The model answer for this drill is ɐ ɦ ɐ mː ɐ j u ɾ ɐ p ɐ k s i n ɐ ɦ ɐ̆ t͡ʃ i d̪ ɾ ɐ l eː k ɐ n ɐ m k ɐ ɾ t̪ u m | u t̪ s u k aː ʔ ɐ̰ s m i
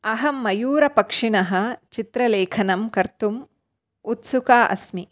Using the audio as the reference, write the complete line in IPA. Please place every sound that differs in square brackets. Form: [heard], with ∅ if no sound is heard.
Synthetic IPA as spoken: ɐ ɦ ɐ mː ɐ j [uː] ɾ ɐ p ɐ k [ʂ] i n ɐ ɦ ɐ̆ t͡ʃ i [t̪] ɾ ɐ l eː [kʰ] ɐ n ɐ m k ɐ ɾ t̪ u m | u t̪ s u k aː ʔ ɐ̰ s m i